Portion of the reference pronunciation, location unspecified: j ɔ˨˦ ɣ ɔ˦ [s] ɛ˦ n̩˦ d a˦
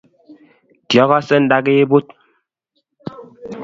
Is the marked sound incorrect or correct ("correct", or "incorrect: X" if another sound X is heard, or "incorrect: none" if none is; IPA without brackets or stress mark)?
correct